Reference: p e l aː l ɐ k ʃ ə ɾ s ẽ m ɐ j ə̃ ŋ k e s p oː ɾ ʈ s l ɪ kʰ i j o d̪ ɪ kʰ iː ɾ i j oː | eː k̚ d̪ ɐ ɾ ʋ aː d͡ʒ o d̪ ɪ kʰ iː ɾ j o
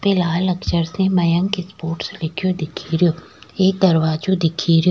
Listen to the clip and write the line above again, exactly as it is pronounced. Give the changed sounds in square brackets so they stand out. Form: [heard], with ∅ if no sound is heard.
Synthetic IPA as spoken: p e l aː l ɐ k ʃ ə ɾ s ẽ m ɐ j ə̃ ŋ k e s p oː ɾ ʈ s l ɪ kʰ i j o d̪ ɪ kʰ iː ɾ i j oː | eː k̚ d̪ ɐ ɾ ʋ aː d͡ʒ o d̪ ɪ kʰ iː ɾ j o